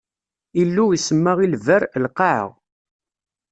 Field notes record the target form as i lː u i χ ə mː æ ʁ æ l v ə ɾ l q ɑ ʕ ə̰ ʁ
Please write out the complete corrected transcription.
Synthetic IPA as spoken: i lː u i s ə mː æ ʁ i l v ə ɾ l q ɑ ʕ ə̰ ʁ

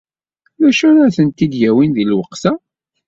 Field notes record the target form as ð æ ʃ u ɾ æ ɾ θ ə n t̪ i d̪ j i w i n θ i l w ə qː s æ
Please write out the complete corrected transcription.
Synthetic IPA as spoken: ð æ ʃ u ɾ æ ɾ θ ə n t̪ i d̪ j æ w i n ð i l w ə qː s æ

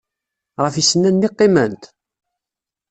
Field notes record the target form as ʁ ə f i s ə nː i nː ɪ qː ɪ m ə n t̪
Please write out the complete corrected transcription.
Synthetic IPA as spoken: ʁ ə f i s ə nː æ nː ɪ qː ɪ m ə n t̪

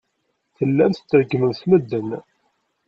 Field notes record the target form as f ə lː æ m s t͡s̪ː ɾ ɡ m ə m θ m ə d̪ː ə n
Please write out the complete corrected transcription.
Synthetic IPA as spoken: θ ə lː æ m θ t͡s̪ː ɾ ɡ m ə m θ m ə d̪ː ə n

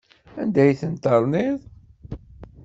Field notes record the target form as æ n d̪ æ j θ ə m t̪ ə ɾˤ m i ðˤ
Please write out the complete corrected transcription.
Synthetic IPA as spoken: æ n d̪ æ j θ ə n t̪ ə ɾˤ n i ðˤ

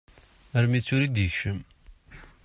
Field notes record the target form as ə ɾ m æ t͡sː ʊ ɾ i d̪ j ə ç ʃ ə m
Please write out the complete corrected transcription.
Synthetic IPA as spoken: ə ɾ m i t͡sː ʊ ɾ i d̪ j ə ç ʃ ə m

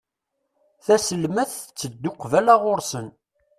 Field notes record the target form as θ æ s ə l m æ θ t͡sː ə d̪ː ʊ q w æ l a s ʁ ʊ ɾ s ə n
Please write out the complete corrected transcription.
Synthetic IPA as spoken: θ æ s ə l m æ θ t͡sː ə d̪ː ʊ q v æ l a ʁ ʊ ɾ s ə n

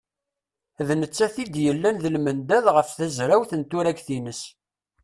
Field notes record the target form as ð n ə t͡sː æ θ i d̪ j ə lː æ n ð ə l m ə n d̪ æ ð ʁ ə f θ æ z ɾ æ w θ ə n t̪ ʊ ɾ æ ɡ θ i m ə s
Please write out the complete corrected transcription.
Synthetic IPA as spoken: ð n ə t͡sː æ θ i d̪ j ə lː æ n ð ə l m ə n d̪ æ ð ʁ ə f θ æ z ɾ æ w θ ə n t̪ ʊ ɾ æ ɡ θ i n ə s

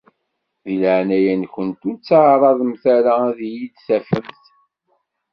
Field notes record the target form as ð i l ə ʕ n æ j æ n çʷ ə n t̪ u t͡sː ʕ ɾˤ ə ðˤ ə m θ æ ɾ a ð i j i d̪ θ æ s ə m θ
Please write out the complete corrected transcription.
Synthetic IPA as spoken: ð i l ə ʕ n æ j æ n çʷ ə n t̪ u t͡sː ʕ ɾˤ ɑ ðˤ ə m θ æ ɾ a ð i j i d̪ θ æ f ə m θ

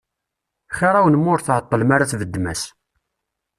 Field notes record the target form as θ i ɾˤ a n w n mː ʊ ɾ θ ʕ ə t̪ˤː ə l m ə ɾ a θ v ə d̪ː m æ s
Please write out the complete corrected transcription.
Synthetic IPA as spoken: χ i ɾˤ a w n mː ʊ ɾ θ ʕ ə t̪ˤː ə l m a ɾ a θ v ə d̪ː m æ s

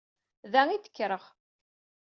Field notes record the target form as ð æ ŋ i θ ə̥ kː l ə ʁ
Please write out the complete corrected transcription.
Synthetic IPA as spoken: ð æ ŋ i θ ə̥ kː ɾ ə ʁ

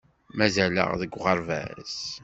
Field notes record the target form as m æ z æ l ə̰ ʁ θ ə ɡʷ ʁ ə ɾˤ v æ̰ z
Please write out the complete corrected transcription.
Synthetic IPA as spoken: m æ z æ l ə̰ ʁ ð ə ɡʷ ʁ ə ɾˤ v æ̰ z

